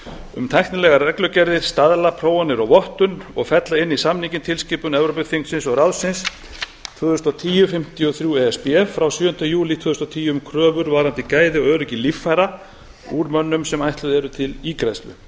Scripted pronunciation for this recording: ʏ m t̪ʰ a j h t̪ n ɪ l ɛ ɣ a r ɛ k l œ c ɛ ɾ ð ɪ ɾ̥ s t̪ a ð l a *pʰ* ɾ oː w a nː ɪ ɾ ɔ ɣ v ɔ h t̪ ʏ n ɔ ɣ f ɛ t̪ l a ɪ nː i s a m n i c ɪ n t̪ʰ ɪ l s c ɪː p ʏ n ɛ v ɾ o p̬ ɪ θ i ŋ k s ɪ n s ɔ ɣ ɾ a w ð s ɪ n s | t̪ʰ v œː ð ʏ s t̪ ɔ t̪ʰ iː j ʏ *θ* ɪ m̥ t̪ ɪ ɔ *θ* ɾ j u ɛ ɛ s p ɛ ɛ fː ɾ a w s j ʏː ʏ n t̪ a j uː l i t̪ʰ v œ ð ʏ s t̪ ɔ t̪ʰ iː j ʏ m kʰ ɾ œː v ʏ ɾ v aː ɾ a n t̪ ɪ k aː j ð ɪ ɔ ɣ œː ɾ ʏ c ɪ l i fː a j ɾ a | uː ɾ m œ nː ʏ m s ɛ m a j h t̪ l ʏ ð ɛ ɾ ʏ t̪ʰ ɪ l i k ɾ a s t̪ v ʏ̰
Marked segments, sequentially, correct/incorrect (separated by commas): correct, incorrect, correct